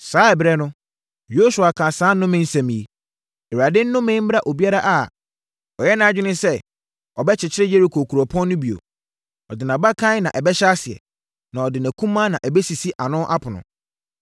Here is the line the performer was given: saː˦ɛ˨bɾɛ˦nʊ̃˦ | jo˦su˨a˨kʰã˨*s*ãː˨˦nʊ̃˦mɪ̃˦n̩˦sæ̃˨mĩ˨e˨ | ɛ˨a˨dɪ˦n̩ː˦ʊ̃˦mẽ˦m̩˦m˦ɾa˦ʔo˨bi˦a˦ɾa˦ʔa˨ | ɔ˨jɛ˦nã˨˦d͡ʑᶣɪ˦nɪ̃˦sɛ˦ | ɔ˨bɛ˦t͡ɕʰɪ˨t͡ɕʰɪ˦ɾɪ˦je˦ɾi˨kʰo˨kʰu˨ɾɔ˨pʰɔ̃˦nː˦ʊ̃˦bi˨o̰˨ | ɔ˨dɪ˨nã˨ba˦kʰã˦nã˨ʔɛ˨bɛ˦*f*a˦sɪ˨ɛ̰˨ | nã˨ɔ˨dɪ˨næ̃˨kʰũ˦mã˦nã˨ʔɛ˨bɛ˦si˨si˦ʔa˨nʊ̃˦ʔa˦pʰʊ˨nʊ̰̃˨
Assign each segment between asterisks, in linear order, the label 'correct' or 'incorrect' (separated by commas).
correct, incorrect